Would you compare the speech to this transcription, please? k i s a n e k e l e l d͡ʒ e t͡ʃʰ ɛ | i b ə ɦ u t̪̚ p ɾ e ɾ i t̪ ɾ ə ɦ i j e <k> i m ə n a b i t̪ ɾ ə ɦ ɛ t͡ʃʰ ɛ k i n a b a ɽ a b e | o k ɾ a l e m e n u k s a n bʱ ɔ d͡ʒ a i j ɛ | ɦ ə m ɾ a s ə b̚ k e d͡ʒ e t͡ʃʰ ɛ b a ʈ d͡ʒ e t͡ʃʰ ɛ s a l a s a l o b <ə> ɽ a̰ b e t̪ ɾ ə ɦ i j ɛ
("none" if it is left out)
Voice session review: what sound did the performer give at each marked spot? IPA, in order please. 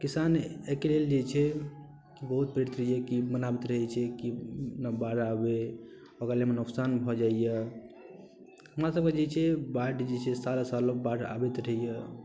k, a

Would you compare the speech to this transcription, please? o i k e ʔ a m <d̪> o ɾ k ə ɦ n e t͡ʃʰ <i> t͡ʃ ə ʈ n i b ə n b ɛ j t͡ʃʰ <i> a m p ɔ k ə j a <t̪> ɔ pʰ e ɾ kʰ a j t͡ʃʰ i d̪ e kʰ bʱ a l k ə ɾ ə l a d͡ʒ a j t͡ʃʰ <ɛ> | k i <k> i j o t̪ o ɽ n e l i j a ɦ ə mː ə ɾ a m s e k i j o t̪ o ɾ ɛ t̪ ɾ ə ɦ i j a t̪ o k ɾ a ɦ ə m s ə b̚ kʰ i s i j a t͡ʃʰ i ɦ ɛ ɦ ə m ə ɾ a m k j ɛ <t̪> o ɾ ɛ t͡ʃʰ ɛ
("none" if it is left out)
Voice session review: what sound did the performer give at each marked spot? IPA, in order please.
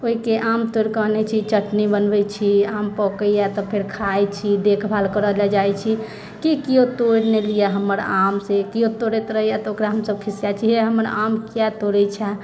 t̪, i, i, t̪, i, k, t̪

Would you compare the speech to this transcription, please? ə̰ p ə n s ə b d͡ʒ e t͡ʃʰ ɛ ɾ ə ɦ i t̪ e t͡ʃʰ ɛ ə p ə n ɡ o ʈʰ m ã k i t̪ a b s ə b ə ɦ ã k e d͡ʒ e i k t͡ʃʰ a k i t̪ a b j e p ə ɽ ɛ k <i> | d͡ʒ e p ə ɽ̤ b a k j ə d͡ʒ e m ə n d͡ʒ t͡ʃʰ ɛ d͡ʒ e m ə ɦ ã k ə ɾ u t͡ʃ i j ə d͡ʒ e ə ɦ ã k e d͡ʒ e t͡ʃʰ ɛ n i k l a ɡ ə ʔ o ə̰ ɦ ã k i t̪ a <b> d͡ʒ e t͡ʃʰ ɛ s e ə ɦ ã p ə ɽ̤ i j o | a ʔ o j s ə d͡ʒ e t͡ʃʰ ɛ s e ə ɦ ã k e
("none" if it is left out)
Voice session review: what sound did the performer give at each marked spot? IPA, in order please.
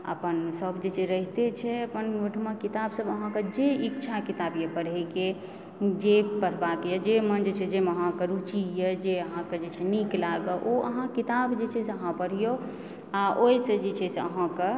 e, b

